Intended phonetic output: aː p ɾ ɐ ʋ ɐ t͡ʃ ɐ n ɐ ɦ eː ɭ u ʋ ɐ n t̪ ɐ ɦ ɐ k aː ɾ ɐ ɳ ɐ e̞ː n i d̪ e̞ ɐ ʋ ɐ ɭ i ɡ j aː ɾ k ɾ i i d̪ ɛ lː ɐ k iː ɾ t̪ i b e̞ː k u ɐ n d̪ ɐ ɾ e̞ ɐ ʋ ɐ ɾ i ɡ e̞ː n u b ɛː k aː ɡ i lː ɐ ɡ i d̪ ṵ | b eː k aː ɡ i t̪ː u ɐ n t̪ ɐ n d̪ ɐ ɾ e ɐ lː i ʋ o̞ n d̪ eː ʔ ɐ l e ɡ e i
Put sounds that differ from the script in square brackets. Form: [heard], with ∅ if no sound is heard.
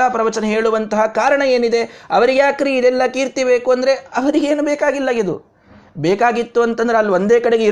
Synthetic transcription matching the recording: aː p ɾ ɐ ʋ ɐ t͡ʃ ɐ n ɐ ɦ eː ɭ u ʋ ɐ n t̪ ɐ ɦ ɐ k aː ɾ ɐ ɳ ɐ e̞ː n i d̪ e̞ ɐ ʋ ɐ [ɾ] i ɡ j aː [∅] k ɾ i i d̪ ɛ lː ɐ k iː ɾ t̪ i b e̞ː k u ɐ n d̪ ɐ ɾ e̞ ɐ ʋ ɐ ɾ i ɡ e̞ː n u b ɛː k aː ɡ i lː ɐ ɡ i d̪ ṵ | b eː k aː ɡ i t̪ː u ɐ n t̪ ɐ n d̪ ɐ ɾ e ɐ lː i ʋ o̞ n d̪ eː [k] ɐ [ɽ] e ɡ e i